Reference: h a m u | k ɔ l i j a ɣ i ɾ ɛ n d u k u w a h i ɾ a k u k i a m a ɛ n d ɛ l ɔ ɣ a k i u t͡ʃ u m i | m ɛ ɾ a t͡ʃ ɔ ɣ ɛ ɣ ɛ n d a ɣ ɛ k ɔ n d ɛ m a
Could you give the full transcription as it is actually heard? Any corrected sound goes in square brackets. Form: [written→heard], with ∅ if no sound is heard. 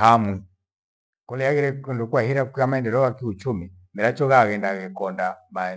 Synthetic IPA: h a m u | k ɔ l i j a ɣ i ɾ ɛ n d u k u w a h i ɾ a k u k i a m a ɛ n d ɛ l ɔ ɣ a k i u t͡ʃ u m i | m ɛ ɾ a t͡ʃ ɔ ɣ [ɛ→a] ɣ ɛ n d a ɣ ɛ k ɔ n d [ɛ→a] m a